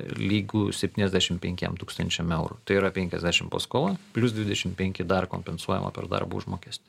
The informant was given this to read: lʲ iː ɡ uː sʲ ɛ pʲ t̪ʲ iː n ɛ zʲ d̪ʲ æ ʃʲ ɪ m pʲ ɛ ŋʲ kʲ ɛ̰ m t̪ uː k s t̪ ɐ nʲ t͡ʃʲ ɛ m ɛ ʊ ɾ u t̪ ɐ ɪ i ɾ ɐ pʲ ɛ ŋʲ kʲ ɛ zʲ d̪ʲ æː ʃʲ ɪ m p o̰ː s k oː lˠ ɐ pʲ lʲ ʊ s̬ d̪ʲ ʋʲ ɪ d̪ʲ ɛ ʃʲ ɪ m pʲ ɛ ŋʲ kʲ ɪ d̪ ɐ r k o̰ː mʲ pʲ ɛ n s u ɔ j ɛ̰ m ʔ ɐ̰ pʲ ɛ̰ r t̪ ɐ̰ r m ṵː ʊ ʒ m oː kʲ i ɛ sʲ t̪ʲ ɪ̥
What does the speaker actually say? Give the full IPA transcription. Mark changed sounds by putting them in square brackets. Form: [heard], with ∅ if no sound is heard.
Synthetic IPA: lʲ iː ɡ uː sʲ ɛ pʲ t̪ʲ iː n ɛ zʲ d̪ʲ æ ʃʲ ɪ m pʲ ɛ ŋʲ kʲ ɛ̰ m t̪ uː k s t̪ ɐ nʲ t͡ʃʲ ɛ m ɛ ʊ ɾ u t̪ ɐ ɪ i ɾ ɐ pʲ ɛ ŋʲ kʲ ɛ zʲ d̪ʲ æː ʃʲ ɪ m p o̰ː s k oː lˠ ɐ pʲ lʲ ʊ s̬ d̪ʲ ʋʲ ɪ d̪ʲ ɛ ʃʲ ɪ m pʲ ɛ ŋʲ kʲ ɪ d̪ ɐ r k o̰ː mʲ pʲ ɛ n s u ɔ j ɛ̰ m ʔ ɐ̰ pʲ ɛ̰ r [d̪] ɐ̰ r [b] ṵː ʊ ʒ m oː kʲ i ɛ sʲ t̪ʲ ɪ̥